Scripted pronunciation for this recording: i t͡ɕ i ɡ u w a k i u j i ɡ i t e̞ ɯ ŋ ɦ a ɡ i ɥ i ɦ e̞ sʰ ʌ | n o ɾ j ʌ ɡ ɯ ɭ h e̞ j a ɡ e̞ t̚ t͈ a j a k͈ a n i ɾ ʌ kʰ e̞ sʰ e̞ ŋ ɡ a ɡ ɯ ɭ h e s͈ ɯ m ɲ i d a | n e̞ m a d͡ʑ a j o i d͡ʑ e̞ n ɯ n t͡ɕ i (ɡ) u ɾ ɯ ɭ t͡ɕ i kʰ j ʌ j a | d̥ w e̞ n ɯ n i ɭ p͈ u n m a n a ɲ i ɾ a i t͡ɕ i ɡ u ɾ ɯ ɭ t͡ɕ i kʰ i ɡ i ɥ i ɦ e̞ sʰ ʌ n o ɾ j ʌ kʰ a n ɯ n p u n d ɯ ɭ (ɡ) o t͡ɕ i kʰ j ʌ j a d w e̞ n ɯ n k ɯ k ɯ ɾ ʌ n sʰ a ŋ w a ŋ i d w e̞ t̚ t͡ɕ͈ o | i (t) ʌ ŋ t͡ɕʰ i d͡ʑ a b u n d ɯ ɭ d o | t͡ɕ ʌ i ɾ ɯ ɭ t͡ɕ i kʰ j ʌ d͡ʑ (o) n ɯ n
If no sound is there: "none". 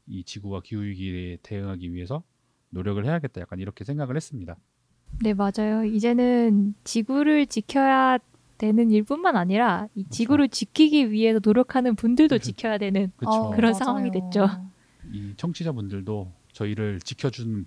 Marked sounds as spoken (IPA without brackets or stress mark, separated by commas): ɡ, d, t͡ɕʰ, u